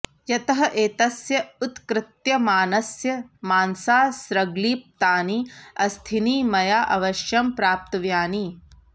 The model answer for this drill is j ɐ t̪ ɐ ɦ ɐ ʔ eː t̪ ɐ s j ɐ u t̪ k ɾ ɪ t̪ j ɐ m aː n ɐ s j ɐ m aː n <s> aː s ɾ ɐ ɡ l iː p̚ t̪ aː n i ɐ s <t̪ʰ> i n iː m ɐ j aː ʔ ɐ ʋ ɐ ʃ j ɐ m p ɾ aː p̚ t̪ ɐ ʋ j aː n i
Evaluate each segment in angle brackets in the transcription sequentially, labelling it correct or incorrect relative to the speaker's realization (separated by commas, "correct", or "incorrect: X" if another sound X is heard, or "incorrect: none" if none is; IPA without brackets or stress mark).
correct, correct